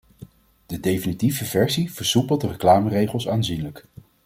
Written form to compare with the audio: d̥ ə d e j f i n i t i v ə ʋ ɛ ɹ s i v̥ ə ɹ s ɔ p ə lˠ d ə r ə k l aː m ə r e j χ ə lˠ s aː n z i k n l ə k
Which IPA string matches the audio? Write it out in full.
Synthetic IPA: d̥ ə d e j f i n i t i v ə v ɛ ɹ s i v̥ ə ɹ s u p ə lˠ d ə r ə k l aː m ə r e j χ ə lˠ s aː n z i n l ə k